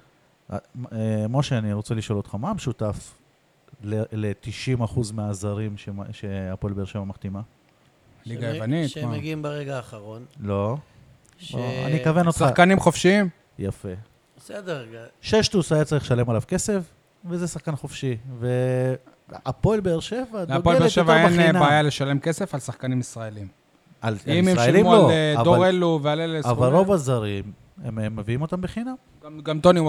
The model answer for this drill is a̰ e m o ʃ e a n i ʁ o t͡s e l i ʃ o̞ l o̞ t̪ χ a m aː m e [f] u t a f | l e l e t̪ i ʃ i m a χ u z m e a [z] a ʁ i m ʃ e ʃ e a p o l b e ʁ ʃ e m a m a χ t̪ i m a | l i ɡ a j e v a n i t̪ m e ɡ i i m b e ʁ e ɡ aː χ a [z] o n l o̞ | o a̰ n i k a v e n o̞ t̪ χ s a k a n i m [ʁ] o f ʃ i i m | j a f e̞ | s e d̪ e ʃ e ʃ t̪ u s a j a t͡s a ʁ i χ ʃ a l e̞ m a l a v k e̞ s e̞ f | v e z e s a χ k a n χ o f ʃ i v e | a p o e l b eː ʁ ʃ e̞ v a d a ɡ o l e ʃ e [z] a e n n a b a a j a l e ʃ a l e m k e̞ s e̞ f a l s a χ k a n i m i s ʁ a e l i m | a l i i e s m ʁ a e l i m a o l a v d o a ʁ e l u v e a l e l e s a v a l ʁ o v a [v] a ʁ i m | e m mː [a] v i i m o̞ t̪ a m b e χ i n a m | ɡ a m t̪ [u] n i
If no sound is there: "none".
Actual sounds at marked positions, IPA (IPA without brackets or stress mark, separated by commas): ʃ, z, ʁ, χ, v, z, e, o